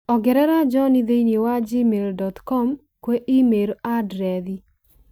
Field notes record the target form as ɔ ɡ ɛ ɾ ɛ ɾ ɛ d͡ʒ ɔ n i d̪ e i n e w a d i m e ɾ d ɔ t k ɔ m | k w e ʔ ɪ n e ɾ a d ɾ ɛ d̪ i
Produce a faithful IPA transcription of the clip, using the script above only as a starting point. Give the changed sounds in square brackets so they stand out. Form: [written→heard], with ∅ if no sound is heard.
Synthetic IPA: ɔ ɡ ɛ ɾ ɛ ɾ [ɛ→a] d͡ʒ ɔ n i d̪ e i n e w a [d→d͡ʒ] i m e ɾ d ɔ t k ɔ m | k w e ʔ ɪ [n→m] e ɾ a d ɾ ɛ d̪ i